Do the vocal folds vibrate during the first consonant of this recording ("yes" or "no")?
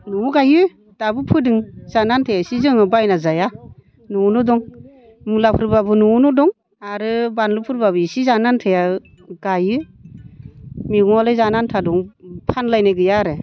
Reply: yes